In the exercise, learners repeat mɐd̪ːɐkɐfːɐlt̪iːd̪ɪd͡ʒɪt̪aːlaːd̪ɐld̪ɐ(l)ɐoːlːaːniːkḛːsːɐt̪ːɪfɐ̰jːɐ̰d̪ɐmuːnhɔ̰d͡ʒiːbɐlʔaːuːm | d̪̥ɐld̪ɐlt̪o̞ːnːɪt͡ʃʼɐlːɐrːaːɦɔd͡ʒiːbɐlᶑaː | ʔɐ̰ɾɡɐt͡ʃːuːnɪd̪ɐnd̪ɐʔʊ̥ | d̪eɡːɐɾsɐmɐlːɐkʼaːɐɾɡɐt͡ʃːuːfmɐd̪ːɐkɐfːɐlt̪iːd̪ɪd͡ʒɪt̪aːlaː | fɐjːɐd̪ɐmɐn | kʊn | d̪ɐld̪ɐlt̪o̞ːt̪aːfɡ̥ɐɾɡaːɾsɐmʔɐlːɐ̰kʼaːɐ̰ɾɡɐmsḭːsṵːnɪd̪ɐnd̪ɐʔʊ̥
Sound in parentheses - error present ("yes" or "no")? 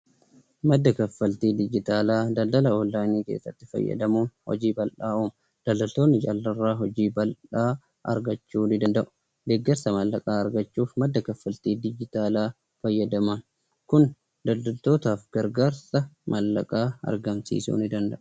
no